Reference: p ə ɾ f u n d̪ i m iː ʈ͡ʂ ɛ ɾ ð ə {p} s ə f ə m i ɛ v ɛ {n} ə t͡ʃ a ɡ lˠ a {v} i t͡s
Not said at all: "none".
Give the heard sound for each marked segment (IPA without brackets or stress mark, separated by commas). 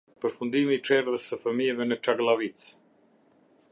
none, n, v